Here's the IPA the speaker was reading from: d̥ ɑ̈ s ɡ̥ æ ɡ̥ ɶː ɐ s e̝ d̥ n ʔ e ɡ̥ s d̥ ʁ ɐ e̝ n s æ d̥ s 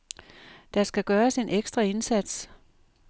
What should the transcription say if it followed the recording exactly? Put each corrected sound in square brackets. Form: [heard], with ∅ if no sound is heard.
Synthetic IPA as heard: d̥ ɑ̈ s ɡ̥ æ ɡ̥ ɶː ɐ s e̝ [∅] n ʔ e ɡ̥ s d̥ ʁ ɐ e̝ n s æ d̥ s